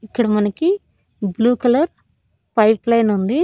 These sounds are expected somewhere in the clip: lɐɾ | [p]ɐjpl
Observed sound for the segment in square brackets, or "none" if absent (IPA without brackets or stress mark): p